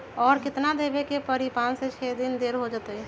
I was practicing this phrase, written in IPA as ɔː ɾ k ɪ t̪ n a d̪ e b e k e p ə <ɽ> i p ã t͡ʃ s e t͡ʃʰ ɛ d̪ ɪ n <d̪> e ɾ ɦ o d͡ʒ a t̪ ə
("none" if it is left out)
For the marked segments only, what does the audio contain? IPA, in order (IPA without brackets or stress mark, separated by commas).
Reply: ɾ, d̪